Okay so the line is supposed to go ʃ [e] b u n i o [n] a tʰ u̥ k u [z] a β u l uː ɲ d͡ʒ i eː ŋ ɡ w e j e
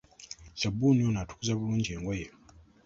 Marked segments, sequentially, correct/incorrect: incorrect: a, correct, correct

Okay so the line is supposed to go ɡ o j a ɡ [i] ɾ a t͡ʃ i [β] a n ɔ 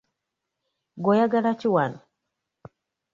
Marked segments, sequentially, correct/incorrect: incorrect: a, incorrect: w

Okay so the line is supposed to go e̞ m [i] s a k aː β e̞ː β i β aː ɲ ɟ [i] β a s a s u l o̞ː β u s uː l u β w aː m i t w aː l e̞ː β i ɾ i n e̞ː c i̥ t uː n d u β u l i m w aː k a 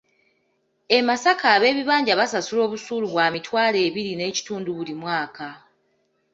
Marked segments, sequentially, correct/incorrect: incorrect: a, incorrect: a

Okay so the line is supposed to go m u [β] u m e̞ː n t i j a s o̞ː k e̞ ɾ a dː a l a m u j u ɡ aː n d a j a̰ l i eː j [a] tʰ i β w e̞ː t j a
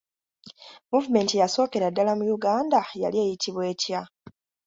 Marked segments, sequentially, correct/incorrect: incorrect: v, incorrect: i

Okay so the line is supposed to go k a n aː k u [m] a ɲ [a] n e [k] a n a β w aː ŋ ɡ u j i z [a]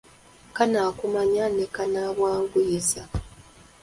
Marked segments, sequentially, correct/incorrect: correct, correct, correct, correct

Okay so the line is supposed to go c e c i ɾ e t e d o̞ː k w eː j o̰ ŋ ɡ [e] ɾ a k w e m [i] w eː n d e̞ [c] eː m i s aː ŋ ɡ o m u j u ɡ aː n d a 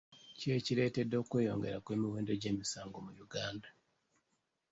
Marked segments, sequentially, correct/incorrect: correct, correct, incorrect: ɟ

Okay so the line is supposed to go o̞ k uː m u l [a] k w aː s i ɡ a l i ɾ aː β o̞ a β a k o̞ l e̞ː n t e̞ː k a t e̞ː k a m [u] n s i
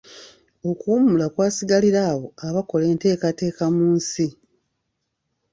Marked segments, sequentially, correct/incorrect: correct, incorrect: uː

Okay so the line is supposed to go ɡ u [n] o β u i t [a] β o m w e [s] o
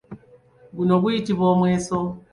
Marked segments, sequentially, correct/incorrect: correct, incorrect: i, correct

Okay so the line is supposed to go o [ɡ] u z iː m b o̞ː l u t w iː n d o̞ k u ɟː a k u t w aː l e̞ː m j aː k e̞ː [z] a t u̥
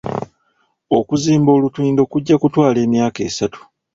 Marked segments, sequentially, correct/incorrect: incorrect: k, incorrect: s

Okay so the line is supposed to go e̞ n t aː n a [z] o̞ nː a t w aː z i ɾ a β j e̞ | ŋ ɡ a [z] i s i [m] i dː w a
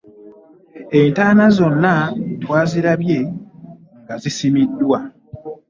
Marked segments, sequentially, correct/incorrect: correct, correct, correct

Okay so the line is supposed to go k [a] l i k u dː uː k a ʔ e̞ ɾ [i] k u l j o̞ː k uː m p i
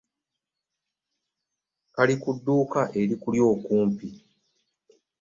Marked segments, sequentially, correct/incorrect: correct, correct

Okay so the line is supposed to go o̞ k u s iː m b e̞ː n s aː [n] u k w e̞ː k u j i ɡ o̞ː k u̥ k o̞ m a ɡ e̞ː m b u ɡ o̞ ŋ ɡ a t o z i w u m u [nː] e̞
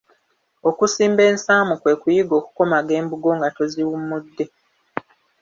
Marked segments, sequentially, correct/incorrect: incorrect: m, incorrect: dː

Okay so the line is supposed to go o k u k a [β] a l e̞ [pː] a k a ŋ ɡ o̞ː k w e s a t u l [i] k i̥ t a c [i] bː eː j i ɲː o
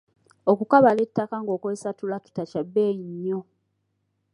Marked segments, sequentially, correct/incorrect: correct, incorrect: tː, incorrect: a, incorrect: a

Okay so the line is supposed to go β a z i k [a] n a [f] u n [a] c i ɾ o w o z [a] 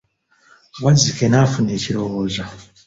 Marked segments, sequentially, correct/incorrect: incorrect: e, correct, incorrect: e, correct

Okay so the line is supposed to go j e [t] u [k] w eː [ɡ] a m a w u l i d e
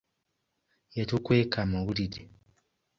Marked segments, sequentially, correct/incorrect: correct, correct, incorrect: k

